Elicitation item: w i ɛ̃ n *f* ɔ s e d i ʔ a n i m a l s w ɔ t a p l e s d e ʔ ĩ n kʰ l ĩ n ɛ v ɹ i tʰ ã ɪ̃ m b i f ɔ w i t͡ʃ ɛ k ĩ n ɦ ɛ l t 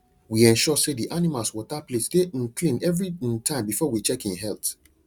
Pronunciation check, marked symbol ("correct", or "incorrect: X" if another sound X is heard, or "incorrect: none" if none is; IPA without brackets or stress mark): incorrect: ʃ